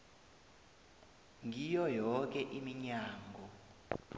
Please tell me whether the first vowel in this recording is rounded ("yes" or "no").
no